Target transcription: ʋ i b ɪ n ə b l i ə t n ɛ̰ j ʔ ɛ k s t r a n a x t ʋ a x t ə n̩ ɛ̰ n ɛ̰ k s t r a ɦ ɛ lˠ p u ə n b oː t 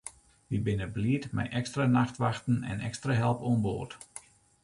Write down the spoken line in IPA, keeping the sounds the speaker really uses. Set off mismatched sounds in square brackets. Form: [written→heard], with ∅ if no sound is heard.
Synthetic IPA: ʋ i b ɪ n ə b l i ə t [n→m] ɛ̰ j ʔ ɛ k s t r a n a x t ʋ a x t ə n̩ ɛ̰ n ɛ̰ k s t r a ɦ ɛ lˠ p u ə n b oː t